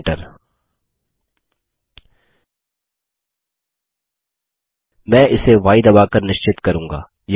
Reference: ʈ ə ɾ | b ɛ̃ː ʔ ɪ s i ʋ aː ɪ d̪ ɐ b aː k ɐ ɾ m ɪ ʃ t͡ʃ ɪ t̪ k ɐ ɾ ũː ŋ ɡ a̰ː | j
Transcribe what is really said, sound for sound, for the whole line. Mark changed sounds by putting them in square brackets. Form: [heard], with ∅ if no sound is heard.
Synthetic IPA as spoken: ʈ ə ɾ | [m] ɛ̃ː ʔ ɪ s [e] ʋ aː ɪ d̪ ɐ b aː k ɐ ɾ [n] ɪ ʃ t͡ʃ ɪ t̪ k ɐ ɾ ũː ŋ ɡ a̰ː | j